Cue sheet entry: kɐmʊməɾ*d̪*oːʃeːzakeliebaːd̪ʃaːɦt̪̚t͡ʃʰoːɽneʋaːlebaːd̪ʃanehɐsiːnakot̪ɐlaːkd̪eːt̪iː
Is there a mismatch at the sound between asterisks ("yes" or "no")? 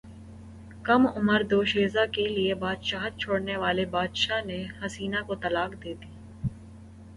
no